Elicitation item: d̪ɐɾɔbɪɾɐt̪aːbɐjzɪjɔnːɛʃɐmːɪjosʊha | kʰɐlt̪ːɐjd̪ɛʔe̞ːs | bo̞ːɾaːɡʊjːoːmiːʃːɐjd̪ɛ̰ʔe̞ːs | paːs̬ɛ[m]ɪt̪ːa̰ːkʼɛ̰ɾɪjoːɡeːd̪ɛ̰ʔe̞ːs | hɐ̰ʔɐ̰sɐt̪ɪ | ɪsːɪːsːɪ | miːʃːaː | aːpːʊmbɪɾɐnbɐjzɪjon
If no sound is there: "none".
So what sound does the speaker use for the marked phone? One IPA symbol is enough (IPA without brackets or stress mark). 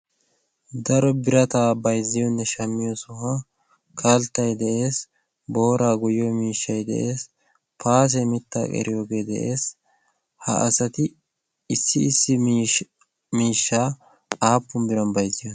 m